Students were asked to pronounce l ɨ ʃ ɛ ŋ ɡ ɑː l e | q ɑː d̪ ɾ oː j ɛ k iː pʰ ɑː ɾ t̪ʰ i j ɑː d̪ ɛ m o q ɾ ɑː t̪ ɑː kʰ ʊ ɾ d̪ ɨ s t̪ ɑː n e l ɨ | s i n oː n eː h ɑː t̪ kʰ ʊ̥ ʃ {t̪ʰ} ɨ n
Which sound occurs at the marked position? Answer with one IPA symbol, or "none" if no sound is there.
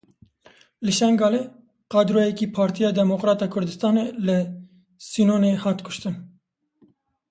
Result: t̪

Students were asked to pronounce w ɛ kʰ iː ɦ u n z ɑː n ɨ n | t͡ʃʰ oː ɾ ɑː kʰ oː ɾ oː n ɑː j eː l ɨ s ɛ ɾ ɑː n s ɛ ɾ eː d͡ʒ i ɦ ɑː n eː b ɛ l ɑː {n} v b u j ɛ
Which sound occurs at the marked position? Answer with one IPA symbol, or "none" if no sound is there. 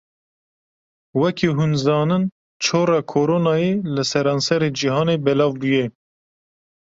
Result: none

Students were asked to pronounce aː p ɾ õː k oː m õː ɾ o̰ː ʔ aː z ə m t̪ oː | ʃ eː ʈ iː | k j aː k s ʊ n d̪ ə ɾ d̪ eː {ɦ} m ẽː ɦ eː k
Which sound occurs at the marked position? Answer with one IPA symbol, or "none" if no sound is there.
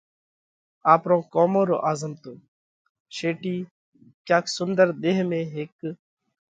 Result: ɦ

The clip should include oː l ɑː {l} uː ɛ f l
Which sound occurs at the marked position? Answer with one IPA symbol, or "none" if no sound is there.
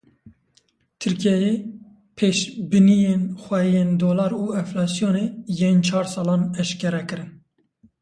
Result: ɾ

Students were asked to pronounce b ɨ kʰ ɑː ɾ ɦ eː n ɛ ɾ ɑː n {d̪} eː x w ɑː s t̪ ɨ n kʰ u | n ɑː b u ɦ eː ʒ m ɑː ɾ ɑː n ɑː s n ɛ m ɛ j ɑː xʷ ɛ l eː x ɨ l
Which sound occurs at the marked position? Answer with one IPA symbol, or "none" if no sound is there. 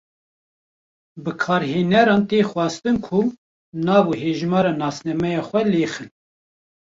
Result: t̪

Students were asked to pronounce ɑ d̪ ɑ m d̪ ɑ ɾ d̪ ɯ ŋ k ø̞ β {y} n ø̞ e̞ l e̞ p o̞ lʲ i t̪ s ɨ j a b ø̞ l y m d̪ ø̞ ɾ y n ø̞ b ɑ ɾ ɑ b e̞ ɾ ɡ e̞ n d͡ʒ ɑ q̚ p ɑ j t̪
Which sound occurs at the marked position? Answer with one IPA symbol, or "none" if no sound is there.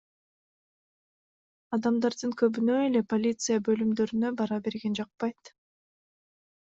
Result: y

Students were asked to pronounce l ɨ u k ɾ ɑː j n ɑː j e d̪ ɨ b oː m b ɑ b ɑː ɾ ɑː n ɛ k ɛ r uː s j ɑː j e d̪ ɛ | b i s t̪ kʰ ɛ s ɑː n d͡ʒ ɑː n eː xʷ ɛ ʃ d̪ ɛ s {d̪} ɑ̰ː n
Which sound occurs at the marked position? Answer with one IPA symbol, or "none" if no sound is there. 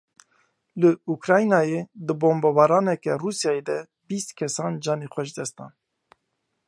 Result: t̪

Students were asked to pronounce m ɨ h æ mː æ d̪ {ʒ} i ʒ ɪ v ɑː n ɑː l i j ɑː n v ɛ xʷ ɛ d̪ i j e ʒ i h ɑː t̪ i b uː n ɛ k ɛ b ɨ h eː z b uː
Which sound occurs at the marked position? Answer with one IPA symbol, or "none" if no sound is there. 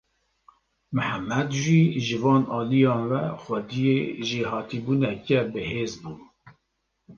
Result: ʒ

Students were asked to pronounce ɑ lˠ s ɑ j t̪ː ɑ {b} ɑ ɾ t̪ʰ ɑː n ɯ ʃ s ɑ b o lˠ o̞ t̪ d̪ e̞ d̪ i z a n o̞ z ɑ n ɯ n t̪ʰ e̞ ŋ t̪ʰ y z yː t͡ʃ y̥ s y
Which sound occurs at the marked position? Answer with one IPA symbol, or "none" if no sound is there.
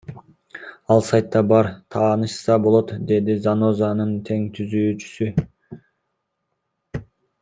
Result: b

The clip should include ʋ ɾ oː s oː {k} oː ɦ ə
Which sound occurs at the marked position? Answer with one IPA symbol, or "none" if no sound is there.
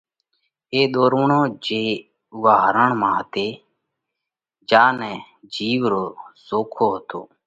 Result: kʰ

